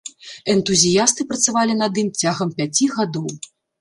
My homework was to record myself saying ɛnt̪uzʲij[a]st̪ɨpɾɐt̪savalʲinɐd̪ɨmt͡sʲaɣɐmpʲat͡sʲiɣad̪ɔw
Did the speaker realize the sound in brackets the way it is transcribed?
yes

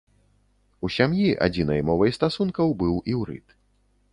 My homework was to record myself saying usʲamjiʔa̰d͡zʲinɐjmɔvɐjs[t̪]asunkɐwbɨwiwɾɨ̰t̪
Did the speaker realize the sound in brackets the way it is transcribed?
yes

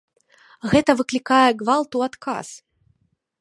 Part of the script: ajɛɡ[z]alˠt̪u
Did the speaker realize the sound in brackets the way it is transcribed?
no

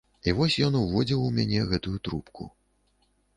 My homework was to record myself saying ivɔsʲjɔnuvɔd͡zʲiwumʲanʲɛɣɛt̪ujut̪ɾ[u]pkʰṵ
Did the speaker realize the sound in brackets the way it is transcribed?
yes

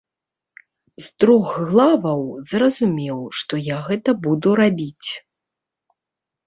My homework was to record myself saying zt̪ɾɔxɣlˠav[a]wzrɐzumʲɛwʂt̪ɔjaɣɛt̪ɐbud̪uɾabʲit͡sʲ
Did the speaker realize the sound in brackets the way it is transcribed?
no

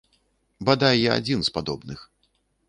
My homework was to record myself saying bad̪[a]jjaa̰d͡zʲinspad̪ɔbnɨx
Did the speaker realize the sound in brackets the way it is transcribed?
yes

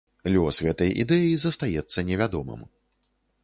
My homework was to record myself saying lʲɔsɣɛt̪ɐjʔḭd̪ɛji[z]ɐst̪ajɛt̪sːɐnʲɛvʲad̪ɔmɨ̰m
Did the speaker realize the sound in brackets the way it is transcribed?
yes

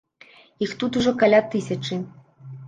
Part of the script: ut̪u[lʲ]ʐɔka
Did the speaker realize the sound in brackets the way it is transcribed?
no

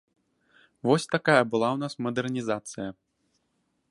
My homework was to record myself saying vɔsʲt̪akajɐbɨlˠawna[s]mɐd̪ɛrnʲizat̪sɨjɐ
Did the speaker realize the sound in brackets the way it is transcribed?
yes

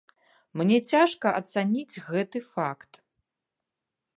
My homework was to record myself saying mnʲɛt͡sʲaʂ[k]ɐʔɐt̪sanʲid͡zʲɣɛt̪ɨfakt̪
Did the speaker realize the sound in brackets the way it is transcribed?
yes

